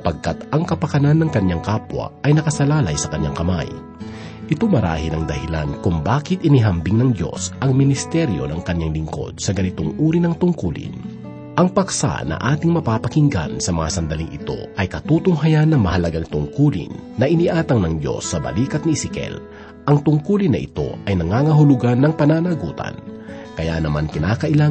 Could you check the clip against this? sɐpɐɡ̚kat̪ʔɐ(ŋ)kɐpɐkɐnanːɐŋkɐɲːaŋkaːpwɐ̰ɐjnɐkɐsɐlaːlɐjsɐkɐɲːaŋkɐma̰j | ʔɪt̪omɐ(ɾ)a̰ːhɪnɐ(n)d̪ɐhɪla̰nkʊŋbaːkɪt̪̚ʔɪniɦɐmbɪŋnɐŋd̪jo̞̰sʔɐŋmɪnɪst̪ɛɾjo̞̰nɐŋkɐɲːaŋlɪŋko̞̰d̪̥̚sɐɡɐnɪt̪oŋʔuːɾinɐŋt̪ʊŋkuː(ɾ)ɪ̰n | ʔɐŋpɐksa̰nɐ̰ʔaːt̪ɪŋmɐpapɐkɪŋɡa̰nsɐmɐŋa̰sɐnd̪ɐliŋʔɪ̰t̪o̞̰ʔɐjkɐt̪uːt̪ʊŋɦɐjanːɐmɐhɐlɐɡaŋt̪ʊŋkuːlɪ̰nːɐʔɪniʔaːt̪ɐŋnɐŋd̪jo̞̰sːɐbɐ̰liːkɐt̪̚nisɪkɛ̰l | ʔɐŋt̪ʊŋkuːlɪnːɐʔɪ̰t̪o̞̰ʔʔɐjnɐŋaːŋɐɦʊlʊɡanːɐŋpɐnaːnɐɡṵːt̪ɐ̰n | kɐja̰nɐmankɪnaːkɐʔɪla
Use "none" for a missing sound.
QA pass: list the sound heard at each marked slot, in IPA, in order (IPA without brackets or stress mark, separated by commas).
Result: ŋ, ɾ, ŋ, l